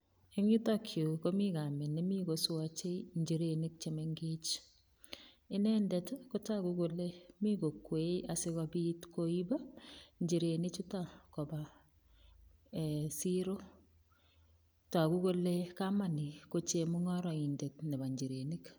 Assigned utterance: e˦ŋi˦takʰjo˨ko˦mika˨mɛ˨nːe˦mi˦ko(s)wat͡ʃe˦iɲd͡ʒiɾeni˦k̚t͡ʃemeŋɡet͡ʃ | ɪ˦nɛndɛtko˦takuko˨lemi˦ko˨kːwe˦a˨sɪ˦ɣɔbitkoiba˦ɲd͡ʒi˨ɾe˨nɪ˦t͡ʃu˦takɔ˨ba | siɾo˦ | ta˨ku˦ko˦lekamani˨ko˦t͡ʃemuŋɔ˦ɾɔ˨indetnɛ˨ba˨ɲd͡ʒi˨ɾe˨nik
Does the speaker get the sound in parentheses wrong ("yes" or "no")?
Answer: no